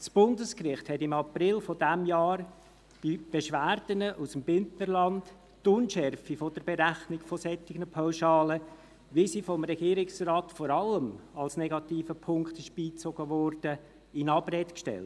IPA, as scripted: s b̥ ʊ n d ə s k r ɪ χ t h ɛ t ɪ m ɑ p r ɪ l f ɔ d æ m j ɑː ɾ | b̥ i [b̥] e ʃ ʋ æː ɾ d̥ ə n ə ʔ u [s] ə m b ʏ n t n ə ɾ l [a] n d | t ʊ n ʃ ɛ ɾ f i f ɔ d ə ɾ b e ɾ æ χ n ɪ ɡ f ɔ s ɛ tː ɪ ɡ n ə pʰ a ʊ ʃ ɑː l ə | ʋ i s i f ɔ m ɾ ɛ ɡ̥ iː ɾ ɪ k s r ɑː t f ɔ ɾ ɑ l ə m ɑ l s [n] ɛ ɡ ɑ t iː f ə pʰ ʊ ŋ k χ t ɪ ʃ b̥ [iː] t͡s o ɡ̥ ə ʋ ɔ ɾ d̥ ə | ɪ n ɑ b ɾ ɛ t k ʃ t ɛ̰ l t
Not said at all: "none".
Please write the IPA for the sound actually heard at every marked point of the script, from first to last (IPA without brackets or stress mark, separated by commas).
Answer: b̥, s, ɑ, n, iː